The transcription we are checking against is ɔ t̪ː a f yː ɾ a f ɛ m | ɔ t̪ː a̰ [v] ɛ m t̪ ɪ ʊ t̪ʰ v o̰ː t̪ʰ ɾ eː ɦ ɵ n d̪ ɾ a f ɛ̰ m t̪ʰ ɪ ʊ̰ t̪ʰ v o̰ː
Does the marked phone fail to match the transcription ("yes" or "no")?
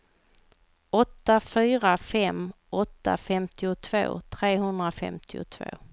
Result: yes